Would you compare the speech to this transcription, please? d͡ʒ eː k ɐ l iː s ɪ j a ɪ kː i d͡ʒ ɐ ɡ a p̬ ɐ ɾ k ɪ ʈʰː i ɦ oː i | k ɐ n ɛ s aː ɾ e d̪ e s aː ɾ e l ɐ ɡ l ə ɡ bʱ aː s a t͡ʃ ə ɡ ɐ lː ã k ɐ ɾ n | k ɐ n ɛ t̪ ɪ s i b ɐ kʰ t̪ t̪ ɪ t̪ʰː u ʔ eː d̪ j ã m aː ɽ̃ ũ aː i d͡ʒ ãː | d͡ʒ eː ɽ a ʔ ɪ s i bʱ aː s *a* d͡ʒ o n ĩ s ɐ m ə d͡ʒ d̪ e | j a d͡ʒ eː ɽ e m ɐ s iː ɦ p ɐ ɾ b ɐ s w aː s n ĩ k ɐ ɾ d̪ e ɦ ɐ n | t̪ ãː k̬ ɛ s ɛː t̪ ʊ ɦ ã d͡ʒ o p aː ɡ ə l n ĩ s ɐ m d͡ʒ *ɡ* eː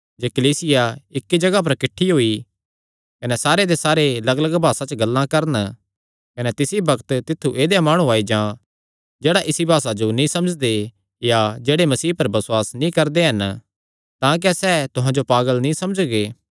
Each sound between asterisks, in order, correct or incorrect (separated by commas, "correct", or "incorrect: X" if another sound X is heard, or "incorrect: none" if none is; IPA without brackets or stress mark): correct, correct